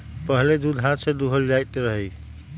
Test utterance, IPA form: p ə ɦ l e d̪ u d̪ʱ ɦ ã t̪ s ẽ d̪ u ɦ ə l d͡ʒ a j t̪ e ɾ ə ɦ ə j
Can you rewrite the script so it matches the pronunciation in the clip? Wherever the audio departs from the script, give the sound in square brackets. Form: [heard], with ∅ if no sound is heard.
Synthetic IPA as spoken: p ə ɦ l e d̪ u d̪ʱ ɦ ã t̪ s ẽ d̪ u ɦ ə l d͡ʒ a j t̪ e ɾ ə ɦ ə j